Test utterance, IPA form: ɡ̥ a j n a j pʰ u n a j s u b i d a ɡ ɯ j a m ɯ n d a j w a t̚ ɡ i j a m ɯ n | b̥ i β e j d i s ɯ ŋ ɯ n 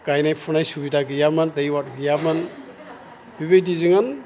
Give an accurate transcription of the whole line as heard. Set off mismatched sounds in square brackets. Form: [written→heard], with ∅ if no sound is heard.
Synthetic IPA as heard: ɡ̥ a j n a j pʰ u n a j s u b i d a ɡ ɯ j a m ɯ n d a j w a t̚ ɡ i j a m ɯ n | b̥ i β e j d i [s→z] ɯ ŋ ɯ n